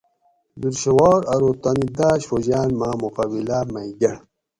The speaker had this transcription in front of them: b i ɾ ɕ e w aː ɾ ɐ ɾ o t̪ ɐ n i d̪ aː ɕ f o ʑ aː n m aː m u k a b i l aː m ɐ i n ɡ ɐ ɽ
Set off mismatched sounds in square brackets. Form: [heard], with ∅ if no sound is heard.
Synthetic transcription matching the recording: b i ɾ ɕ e w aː ɾ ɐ ɾ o t̪ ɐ n i d̪ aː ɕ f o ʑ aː n m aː m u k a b i l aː m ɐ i [∅] ɡ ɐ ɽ